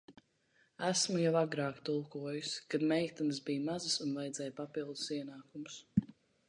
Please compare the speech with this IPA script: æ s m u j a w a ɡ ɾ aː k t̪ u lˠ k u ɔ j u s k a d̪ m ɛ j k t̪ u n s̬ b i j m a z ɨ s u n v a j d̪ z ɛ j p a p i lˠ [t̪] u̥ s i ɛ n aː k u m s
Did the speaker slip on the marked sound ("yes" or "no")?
yes